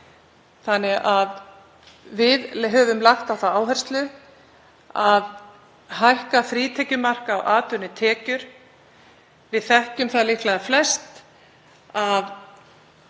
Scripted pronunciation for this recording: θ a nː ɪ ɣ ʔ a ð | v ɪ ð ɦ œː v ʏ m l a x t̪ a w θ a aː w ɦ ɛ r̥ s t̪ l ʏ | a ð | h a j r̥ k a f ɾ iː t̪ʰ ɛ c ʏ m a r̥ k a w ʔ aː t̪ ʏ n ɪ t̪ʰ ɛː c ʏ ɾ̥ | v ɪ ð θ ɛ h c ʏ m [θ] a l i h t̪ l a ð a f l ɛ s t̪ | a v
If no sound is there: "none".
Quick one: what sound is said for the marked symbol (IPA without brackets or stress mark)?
θ